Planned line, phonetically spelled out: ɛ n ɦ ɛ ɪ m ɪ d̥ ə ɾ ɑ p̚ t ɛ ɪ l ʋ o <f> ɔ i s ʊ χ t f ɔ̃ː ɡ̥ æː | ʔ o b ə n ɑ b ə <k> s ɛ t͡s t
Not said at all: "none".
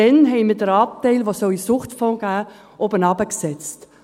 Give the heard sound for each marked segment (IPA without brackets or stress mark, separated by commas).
s, k